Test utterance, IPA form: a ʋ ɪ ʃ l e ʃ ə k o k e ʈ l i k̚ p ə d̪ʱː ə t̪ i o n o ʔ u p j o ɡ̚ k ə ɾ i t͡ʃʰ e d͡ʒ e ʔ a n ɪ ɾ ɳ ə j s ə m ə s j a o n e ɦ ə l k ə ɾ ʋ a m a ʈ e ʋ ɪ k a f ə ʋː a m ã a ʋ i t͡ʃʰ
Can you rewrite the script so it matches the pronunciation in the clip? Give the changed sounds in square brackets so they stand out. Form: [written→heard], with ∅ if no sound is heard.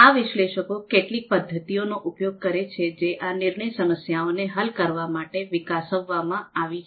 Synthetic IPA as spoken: a ʋ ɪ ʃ l e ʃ ə k o k e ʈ l i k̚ p ə d̪ʱː ə t̪ i o n o ʔ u p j o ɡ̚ k ə ɾ [i→e] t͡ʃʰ e d͡ʒ e ʔ a n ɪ ɾ ɳ ə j s ə m ə s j a o n e ɦ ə l k ə ɾ ʋ a m a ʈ e ʋ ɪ k a [f→s] ə ʋː a m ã a ʋ i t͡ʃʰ